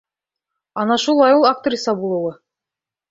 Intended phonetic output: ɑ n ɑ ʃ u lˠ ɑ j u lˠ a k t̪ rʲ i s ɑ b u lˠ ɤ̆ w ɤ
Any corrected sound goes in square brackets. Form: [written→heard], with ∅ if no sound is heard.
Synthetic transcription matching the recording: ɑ n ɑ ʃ u lˠ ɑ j u lˠ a k t̪ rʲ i s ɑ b u lˠ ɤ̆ w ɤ